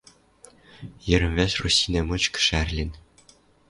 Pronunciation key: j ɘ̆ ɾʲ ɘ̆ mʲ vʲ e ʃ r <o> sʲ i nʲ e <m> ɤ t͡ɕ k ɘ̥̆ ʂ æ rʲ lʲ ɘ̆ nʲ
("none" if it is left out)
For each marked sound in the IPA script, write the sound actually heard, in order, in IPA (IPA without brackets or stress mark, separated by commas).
u, m